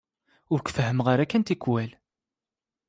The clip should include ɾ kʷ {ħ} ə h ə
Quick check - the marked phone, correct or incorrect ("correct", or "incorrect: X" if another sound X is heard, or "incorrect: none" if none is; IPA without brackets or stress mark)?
incorrect: f